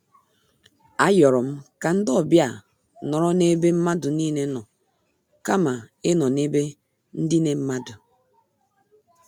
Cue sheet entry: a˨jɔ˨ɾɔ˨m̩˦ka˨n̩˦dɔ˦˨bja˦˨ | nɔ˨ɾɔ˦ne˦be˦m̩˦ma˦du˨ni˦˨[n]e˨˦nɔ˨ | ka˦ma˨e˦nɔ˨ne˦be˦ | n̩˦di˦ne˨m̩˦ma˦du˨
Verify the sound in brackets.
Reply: correct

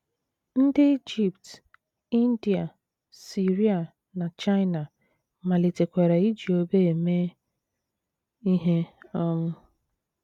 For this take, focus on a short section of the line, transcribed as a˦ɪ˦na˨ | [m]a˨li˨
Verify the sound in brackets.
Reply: correct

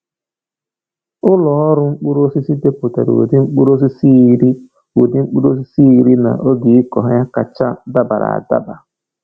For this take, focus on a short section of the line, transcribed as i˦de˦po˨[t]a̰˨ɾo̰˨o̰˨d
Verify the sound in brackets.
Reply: correct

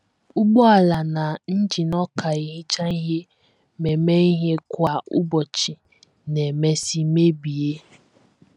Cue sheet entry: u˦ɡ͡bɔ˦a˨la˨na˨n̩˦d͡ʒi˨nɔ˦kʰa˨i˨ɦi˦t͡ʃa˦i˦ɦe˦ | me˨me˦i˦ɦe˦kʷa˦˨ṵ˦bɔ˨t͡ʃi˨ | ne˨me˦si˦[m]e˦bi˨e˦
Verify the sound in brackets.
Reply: correct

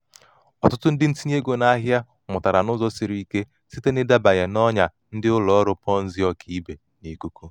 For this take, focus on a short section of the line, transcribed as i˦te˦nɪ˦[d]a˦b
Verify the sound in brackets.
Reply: correct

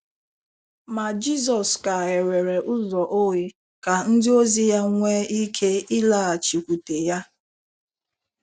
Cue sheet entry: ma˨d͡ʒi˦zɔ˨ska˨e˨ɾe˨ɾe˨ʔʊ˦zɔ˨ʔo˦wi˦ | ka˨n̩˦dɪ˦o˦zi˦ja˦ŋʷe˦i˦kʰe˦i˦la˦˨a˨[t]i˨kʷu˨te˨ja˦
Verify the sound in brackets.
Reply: incorrect: t͡ʃ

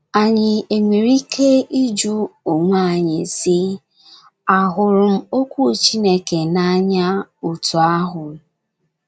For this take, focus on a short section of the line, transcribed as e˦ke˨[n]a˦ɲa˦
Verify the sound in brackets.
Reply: correct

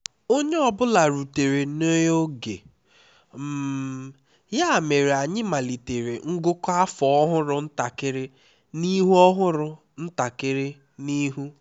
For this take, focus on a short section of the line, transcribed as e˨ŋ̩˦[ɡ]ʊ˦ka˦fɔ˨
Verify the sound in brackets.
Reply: correct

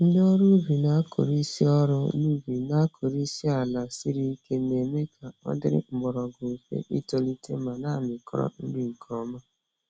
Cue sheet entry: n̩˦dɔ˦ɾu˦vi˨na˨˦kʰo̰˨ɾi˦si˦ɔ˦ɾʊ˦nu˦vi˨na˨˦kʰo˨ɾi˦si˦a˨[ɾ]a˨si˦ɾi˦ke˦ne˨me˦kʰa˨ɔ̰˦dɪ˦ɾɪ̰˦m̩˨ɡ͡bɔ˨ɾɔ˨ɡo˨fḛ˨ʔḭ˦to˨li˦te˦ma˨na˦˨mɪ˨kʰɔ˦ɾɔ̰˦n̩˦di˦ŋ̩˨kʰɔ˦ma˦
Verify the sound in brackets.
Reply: incorrect: l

